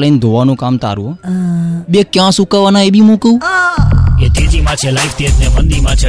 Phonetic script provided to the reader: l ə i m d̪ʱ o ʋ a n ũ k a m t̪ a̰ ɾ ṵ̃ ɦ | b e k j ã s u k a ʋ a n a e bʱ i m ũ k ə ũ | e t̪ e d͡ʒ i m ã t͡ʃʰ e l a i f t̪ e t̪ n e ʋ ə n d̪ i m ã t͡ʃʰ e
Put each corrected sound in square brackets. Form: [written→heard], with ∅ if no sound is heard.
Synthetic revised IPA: l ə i [m→n] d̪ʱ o ʋ a n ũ k a m t̪ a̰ ɾ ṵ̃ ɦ | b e k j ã s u k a ʋ a n a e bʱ i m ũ k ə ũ | e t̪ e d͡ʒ i m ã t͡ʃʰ e l a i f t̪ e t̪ n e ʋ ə n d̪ i m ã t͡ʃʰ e